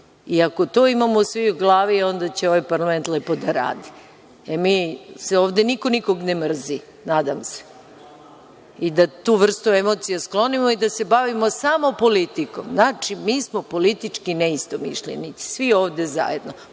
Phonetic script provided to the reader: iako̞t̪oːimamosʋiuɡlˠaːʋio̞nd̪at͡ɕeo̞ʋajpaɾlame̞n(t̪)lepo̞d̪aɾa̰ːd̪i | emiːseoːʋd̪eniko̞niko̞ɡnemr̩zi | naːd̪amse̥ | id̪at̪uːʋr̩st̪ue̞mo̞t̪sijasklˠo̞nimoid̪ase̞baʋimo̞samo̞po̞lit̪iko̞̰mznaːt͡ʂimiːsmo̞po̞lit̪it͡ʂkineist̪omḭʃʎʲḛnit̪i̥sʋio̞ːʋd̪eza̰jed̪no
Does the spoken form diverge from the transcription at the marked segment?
no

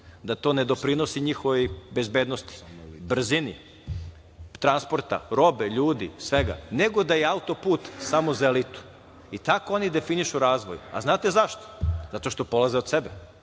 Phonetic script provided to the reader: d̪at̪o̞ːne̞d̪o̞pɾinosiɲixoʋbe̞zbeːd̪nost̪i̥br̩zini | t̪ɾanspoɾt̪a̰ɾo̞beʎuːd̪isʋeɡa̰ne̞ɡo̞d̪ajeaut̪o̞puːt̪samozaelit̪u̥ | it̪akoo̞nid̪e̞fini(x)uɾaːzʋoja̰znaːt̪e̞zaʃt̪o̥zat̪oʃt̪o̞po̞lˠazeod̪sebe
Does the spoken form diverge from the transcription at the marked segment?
yes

